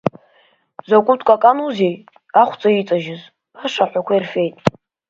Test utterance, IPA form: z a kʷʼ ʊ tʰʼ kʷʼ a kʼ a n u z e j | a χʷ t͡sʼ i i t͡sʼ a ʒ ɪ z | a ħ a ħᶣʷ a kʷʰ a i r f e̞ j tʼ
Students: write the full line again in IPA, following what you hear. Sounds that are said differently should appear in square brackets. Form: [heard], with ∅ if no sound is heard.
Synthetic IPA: z a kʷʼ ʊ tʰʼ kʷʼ a kʼ a n u z e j | a χʷ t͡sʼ [a] i t͡sʼ a ʒ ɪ z | a [ʂ] a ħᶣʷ a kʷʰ a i r f e̞ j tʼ